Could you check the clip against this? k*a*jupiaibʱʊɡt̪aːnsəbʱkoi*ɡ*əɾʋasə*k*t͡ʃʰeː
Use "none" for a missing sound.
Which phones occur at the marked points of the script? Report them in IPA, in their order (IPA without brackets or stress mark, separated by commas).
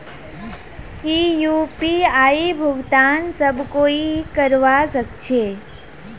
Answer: i, k, k